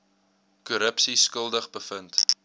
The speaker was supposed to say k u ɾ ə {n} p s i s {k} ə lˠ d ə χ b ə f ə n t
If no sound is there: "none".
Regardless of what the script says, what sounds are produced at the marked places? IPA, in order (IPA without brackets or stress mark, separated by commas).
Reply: none, k